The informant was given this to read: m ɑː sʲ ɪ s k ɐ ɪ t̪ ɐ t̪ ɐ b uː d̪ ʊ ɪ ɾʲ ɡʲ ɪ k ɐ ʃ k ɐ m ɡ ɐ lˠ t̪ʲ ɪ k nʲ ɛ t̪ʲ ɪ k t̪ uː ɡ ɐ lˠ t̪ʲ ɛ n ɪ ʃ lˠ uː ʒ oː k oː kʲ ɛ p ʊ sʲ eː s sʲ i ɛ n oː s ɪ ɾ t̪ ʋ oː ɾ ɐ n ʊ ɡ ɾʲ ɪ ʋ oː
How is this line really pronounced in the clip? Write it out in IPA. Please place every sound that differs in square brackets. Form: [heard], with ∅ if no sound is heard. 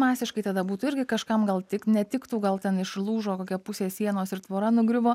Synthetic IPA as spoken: m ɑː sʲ ɪ [ʃ] k ɐ ɪ t̪ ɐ [d̪] ɐ b uː [t̪] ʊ ɪ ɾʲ ɡʲ ɪ k ɐ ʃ k ɐ m ɡ ɐ lˠ t̪ʲ ɪ k nʲ ɛ t̪ʲ ɪ k t̪ uː ɡ ɐ lˠ t̪ʲ ɛ n ɪ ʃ lˠ uː ʒ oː k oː kʲ ɛ p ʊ sʲ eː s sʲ i ɛ n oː s ɪ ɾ t̪ ʋ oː ɾ ɐ n ʊ ɡ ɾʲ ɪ ʋ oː

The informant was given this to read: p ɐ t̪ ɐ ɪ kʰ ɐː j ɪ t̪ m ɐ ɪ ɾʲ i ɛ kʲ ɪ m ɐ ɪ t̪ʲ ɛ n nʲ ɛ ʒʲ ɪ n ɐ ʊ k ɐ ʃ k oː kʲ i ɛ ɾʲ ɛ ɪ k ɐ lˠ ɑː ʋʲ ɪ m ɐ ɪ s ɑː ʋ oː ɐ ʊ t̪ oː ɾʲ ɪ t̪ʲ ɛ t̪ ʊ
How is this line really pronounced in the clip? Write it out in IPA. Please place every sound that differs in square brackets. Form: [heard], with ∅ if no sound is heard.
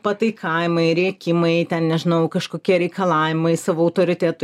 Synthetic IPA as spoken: p ɐ t̪ ɐ ɪ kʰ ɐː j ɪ [∅] m ɐ ɪ ɾʲ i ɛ kʲ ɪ m ɐ ɪ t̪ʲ ɛ n nʲ ɛ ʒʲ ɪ n ɐ ʊ k ɐ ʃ k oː kʲ i ɛ ɾʲ ɛ ɪ k ɐ lˠ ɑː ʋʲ ɪ m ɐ ɪ s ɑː ʋ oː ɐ ʊ t̪ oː ɾʲ ɪ t̪ʲ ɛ t̪ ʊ

